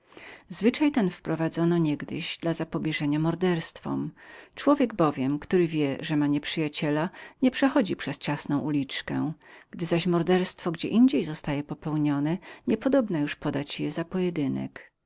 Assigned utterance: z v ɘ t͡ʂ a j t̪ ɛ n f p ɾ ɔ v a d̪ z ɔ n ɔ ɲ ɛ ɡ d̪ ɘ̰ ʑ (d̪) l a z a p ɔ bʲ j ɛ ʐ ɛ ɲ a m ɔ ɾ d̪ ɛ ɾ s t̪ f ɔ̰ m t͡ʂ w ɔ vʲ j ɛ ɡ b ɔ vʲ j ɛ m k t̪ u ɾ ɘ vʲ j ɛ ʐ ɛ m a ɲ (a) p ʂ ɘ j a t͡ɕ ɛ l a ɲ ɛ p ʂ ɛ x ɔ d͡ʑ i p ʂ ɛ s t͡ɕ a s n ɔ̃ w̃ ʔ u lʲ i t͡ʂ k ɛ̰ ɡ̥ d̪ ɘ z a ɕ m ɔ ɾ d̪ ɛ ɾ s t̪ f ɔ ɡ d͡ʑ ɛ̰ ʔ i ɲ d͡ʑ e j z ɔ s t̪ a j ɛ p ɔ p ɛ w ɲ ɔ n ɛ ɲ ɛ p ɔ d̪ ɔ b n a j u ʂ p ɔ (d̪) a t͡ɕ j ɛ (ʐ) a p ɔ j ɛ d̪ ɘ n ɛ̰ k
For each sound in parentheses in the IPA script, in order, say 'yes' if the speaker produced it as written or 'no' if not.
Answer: yes, no, yes, no

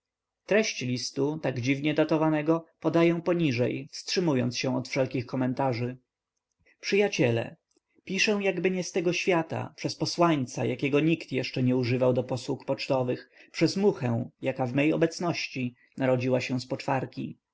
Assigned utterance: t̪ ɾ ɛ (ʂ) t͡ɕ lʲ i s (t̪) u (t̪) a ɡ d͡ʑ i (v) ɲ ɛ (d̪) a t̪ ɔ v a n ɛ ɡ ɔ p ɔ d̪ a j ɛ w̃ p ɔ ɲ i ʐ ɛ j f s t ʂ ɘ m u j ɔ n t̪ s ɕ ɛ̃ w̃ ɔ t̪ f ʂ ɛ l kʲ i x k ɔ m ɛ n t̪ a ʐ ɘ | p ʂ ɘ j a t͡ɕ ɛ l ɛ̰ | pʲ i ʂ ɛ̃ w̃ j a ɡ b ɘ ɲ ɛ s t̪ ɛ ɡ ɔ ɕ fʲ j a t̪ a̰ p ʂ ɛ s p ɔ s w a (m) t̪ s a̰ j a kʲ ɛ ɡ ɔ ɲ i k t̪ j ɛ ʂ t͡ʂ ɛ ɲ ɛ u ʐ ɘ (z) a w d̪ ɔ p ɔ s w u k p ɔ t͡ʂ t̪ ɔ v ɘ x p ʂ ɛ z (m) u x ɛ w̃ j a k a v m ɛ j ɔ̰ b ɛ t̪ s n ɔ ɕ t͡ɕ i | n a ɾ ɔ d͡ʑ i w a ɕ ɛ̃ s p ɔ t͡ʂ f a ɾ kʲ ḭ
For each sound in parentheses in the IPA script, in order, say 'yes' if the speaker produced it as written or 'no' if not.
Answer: no, yes, yes, yes, yes, no, no, yes

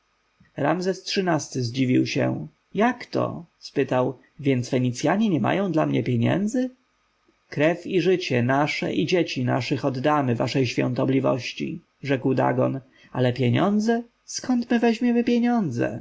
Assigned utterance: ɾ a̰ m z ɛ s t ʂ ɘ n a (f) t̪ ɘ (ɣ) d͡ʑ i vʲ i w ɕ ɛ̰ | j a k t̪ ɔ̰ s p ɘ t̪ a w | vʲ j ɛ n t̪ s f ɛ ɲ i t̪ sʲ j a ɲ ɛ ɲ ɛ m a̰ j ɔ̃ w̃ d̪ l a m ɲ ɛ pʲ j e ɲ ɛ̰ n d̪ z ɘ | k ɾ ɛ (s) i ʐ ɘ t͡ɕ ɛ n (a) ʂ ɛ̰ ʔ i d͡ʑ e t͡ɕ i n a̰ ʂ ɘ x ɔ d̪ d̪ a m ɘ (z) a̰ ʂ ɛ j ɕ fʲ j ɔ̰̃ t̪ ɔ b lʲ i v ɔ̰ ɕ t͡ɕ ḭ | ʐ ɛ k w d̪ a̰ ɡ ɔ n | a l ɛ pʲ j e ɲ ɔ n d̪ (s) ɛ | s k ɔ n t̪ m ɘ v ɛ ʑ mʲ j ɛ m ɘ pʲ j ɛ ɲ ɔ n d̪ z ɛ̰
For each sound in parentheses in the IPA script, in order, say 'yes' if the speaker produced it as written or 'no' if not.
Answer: no, no, no, yes, no, no

